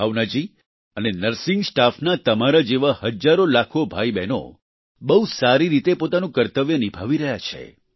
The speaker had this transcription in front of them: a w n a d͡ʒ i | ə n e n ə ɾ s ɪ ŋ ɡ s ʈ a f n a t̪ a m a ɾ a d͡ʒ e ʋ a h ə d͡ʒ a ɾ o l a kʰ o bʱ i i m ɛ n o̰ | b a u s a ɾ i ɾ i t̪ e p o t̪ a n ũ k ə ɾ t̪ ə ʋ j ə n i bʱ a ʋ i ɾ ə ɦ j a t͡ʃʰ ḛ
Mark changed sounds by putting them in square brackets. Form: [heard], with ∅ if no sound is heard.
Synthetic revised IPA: a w n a d͡ʒ i | ə n e n ə ɾ s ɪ ŋ ɡ s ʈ a f n a t̪ [ə] m a ɾ a d͡ʒ e ʋ a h ə d͡ʒ a ɾ o l a kʰ o bʱ [a] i [b] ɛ n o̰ | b [ə] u s a ɾ i ɾ i t̪ e p o t̪ a n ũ k ə ɾ t̪ ə ʋ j ə n i bʱ a ʋ i ɾ ə ɦ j a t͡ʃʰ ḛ

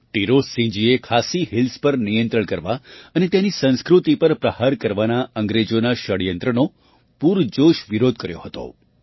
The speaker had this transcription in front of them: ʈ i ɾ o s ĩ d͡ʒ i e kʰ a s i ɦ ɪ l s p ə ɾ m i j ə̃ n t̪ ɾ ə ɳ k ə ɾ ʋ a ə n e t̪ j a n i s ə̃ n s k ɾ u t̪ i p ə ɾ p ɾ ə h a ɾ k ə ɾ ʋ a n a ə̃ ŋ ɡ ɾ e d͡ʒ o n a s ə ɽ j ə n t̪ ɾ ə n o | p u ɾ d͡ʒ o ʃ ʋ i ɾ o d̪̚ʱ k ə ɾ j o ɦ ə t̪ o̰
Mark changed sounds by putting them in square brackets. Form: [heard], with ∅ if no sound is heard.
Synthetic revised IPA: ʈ i ɾ o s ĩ d͡ʒ i e kʰ a s i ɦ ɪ l s p ə ɾ [n] i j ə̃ n t̪ ɾ ə ɳ k ə ɾ ʋ a ə n e t̪ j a n i s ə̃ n s k ɾ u t̪ i p ə ɾ p ɾ ə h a ɾ k ə ɾ ʋ a n a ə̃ ŋ ɡ ɾ e d͡ʒ o n a [ʃ] ə ɽ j ə n t̪ ɾ ə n o | p u ɾ d͡ʒ o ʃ ʋ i ɾ o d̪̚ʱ k ə ɾ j o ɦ ə t̪ o̰

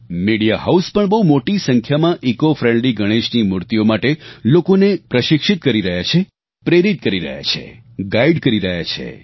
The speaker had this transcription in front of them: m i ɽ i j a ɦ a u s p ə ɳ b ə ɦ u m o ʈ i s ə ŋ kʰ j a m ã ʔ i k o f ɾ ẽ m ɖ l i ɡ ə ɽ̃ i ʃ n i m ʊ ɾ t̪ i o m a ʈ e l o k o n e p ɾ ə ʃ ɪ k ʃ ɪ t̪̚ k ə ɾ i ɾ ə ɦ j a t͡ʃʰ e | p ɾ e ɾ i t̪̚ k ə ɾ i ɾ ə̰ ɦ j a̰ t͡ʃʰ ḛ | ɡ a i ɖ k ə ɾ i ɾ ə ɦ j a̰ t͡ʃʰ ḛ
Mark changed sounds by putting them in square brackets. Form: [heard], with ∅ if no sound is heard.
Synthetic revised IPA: m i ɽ i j a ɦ a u s p ə ɳ b ə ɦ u m o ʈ i s ə ŋ kʰ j a m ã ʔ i k o f ɾ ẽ [ɳ] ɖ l i ɡ ə ɽ̃ [e] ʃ n i m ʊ ɾ t̪ i o m a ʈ e l o k o n e p ɾ ə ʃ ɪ k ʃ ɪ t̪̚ k ə ɾ i ɾ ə ɦ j a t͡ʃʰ e | p ɾ e ɾ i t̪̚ k ə ɾ i ɾ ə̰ ɦ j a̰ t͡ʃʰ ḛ | ɡ a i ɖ k ə ɾ i ɾ ə ɦ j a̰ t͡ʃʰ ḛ

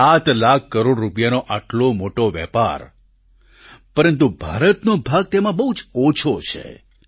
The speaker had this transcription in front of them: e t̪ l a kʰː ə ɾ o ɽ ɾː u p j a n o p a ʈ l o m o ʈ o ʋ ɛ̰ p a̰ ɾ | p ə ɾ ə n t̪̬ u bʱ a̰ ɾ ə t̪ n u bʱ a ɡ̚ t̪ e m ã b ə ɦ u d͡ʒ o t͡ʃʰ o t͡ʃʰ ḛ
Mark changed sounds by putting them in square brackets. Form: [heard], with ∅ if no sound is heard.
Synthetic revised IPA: [a] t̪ l a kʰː ə ɾ o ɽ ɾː u p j a n o [ʔ] a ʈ l o m o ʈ o ʋ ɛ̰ p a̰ ɾ | p ə ɾ ə n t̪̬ u bʱ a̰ ɾ ə t̪ n [o] bʱ a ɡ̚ t̪ e m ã b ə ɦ u d͡ʒ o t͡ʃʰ o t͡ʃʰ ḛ

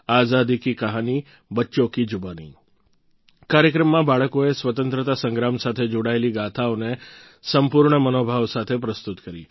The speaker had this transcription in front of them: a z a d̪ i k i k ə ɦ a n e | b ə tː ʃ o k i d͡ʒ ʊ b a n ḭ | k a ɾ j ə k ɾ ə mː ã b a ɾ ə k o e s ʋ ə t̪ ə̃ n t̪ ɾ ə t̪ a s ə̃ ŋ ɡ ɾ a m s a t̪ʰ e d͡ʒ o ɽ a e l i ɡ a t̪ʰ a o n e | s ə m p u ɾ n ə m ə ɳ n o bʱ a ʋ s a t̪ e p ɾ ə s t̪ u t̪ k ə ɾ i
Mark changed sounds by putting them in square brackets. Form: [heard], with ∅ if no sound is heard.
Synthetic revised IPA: a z a d̪ i k i k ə ɦ a n [i] | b ə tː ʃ o k i d͡ʒ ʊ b a n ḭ | k a ɾ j ə k ɾ ə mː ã b a [ɭ] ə k o e s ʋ ə t̪ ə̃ n t̪ ɾ ə t̪ a s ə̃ ŋ ɡ ɾ a m s a t̪ʰ e d͡ʒ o ɽ a e l i ɡ a t̪ʰ a o n e | s ə m p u ɾ [ɳ] ə m ə [∅] n o bʱ a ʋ s a [t̪ʰ] e p ɾ ə s t̪ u t̪ k ə ɾ i

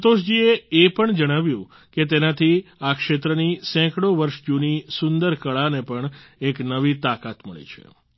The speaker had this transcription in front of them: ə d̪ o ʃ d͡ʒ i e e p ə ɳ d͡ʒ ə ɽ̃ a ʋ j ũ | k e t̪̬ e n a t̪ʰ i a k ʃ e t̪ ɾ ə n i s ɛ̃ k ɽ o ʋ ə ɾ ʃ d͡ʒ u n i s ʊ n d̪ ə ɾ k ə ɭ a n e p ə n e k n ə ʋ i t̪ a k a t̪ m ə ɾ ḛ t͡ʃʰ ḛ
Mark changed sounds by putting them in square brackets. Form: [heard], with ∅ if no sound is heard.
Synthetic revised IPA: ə [t̪] o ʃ d͡ʒ i e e p ə ɳ d͡ʒ ə ɽ̃ a ʋ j ũ | k e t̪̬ e n a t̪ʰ i a k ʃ e t̪ ɾ ə n i s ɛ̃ k ɽ o ʋ ə ɾ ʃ d͡ʒ u n i s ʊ n d̪ ə ɾ k ə ɭ a n e p ə [ɳ] e k n ə ʋ i t̪ a k a t̪ m ə [ɭ] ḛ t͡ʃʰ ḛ

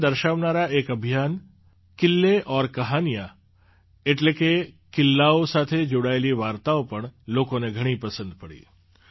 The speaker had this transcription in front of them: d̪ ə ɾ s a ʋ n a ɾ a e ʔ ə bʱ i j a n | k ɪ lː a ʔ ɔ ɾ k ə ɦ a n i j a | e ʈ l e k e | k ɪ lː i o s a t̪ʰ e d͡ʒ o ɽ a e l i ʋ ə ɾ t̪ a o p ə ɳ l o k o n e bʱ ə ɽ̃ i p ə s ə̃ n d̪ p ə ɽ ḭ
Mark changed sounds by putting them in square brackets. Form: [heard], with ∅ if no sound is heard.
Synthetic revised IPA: d̪ ə ɾ [ʃ] a ʋ n a ɾ a e [k] ə bʱ i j a n | k ɪ lː [e] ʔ ɔ ɾ k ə ɦ a n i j a | e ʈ l e k e | k ɪ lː [a] o s a t̪ʰ e d͡ʒ o ɽ a e l i ʋ [a] ɾ t̪ a o p ə ɳ l o k o n e [ɡʱ] ə ɽ̃ i p ə s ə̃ n d̪ p ə ɽ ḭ

